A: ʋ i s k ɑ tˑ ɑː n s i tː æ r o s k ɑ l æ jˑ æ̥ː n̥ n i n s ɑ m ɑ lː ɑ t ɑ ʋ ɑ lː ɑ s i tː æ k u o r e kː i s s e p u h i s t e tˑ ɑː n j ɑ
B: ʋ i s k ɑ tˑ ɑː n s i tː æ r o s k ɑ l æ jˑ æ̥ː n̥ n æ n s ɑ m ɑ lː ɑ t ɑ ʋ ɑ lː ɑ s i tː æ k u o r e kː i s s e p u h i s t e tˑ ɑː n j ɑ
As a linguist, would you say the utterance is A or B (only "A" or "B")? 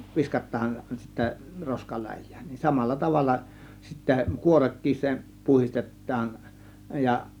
A